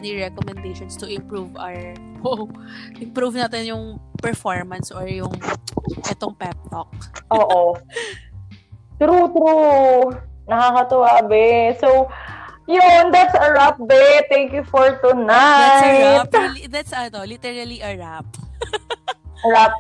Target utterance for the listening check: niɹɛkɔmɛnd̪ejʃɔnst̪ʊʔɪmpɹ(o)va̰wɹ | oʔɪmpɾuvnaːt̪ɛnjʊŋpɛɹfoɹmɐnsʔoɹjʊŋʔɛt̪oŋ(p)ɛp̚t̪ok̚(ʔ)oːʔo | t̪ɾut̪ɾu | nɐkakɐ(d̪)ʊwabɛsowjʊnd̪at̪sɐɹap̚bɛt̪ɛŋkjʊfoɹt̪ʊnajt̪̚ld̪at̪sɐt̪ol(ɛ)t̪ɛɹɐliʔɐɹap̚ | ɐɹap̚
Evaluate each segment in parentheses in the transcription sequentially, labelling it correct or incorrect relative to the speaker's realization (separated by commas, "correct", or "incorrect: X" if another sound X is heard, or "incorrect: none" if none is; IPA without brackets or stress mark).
incorrect: u, correct, correct, incorrect: t̪, incorrect: i